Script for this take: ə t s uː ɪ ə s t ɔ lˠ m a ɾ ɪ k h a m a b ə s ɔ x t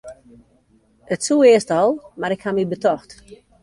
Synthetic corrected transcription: ə t s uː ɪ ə s t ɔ lˠ m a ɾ ɪ k h a m i b ə t ɔ x t